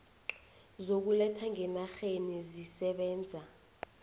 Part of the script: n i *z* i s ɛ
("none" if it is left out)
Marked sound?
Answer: z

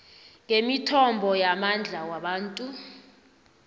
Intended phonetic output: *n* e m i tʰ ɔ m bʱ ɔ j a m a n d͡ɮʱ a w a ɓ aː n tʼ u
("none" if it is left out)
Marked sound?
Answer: ŋ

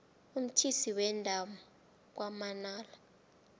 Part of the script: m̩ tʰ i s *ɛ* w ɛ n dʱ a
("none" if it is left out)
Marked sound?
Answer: i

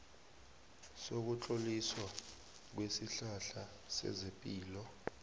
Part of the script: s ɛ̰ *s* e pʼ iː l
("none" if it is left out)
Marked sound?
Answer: z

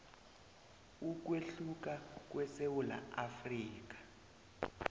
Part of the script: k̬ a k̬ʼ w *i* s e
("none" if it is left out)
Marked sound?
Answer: ɛ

